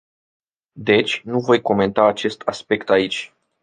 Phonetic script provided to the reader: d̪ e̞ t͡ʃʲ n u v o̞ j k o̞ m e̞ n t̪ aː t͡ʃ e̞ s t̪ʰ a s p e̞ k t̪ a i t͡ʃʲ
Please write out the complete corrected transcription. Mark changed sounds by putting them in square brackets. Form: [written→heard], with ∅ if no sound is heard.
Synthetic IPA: d̪ e̞ t͡ʃʲ n u v o̞ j k o̞ m e̞ n t̪ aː t͡ʃ e̞ s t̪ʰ a s p e̞ k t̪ a i t͡ʃʲ